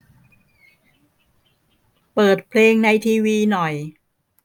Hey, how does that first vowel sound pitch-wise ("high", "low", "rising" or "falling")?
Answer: low